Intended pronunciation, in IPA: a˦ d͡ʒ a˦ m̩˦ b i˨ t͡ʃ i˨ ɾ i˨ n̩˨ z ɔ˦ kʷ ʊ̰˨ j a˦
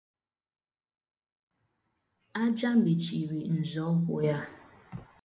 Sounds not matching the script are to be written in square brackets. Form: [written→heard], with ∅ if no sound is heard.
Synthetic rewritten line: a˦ d͡ʒ a˦ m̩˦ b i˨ t͡ʃ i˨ ɾ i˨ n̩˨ z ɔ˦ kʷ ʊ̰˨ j a˦